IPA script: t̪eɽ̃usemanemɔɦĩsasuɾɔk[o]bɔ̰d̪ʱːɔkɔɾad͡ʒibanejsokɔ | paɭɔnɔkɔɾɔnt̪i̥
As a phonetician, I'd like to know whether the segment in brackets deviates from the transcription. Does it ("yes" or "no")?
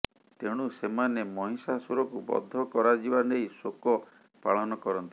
yes